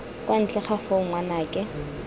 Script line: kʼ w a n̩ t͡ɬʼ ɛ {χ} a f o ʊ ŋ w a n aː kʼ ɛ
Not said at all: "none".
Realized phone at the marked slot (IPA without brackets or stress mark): χ